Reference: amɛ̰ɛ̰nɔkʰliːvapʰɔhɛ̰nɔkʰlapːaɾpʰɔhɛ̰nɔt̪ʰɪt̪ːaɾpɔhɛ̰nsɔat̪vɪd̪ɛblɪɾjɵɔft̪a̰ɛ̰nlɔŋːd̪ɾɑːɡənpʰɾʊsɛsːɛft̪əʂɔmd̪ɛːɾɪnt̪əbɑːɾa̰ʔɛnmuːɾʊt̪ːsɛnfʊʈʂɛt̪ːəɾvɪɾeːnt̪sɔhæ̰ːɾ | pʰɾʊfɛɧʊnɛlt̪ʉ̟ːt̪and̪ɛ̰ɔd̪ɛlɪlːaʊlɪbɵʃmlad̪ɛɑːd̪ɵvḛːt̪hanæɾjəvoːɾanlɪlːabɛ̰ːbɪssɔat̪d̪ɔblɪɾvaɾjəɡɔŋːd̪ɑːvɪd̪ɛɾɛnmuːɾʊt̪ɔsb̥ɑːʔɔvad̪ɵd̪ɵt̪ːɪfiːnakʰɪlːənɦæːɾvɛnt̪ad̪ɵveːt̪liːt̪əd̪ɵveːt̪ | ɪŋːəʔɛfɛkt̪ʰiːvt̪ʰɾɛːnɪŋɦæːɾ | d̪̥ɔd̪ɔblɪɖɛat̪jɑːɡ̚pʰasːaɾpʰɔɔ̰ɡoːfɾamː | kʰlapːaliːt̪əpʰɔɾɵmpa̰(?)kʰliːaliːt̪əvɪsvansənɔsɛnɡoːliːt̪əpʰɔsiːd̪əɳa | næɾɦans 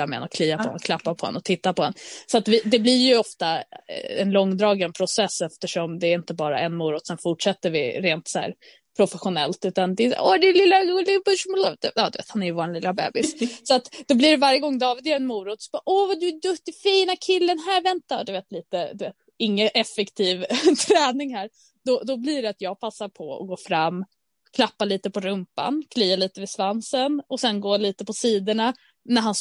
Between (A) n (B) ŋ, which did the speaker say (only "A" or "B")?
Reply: A